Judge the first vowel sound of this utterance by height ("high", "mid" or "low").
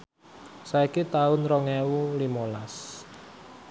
low